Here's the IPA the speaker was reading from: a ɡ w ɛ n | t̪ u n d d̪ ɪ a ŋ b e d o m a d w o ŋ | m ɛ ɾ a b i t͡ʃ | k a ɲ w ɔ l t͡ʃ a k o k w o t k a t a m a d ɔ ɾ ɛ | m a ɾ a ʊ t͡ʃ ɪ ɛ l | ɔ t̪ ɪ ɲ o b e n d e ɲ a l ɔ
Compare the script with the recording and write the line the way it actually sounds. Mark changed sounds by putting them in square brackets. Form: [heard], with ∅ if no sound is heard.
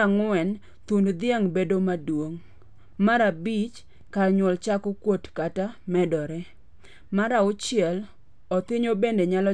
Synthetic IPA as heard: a [ŋ] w ɛ n | t̪ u n d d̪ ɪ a ŋ b e d o m a d w o ŋ | m [a] ɾ a b i t͡ʃ | k a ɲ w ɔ l t͡ʃ a k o k w o t k a t a m [ɛ] d ɔ ɾ ɛ | m a ɾ a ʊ t͡ʃ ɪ ɛ l | ɔ t̪ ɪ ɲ o b e n d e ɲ a l ɔ